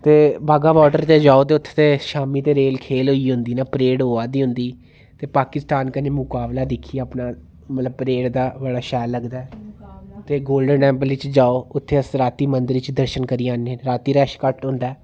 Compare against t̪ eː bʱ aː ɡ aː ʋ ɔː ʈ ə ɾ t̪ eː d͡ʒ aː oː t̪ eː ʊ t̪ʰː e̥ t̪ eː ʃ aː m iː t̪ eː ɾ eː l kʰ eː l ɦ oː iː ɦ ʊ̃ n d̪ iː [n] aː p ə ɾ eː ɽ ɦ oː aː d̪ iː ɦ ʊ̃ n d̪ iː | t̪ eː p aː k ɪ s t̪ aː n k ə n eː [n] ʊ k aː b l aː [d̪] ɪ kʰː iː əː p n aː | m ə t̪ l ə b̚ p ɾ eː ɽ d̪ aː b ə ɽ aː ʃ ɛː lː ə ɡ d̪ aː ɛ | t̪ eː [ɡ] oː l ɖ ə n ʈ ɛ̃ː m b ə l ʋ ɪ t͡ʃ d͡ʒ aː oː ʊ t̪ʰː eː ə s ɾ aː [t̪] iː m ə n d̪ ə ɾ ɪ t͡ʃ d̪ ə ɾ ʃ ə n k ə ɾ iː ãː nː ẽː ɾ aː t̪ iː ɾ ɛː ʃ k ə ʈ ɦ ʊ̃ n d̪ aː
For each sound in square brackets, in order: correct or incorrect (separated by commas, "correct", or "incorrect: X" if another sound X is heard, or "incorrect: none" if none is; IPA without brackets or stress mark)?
correct, incorrect: m, correct, correct, correct